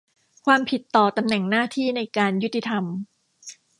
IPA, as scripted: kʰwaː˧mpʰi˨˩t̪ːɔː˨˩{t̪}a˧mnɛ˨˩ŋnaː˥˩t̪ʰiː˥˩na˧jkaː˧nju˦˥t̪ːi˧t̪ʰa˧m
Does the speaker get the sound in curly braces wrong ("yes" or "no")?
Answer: no